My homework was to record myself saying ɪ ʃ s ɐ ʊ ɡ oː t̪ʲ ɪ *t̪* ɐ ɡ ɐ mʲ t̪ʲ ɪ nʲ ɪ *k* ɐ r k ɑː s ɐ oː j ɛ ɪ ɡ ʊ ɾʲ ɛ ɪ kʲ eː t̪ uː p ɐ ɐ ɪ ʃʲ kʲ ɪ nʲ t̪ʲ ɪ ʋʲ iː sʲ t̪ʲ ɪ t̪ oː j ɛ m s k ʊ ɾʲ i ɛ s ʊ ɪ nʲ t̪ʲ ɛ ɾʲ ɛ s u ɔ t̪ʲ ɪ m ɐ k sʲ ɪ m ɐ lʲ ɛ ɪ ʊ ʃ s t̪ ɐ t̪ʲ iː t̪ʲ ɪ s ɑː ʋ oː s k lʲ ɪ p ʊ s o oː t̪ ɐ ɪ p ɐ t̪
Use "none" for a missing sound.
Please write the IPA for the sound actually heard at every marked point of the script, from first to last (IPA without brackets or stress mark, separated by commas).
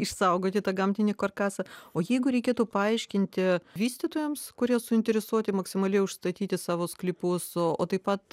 t̪, k